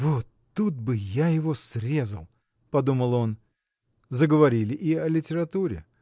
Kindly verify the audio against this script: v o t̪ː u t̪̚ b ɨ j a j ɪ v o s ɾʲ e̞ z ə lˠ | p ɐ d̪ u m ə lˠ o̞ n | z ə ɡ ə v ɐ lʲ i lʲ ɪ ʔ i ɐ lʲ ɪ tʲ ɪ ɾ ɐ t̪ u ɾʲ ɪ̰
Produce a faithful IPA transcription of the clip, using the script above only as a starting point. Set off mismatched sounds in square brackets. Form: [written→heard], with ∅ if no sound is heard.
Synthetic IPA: v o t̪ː u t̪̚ b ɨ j a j ɪ v o s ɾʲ e̞ z ə lˠ | p ɐ d̪ u m ə lˠ o̞ n | z ə ɡ ə v ɐ [lʲ→ɾʲ] i lʲ ɪ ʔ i ɐ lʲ ɪ tʲ ɪ ɾ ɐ t̪ u ɾʲ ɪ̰